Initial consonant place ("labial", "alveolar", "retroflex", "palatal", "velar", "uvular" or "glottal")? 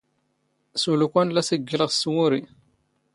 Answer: alveolar